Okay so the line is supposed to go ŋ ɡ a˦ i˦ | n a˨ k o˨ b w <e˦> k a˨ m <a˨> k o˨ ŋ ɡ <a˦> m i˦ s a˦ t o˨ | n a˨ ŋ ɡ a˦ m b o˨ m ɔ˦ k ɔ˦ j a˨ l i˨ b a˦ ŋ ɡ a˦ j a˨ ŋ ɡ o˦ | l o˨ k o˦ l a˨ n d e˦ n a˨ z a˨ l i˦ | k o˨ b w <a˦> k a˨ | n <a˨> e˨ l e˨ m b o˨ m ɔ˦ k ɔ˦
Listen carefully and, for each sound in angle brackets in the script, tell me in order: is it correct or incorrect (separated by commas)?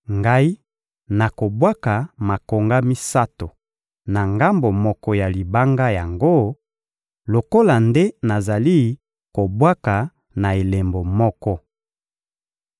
incorrect, correct, correct, correct, correct